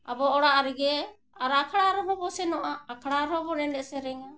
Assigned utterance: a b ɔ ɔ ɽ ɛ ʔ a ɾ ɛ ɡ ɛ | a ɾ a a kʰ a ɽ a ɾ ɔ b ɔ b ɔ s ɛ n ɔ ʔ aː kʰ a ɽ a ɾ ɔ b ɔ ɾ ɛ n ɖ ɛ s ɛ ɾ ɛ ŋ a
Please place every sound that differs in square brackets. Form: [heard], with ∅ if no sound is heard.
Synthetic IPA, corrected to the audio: a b ɔ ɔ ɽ [a] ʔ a ɾ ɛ ɡ ɛ | a ɾ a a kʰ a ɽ a ɾ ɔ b ɔ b ɔ s ɛ n ɔ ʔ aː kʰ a ɽ a ɾ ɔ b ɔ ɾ ɛ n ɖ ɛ s ɛ ɾ ɛ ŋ a